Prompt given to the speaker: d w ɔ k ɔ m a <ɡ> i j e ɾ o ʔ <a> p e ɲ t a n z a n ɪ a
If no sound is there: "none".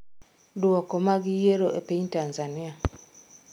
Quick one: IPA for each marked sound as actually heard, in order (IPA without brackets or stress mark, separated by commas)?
ɡ, e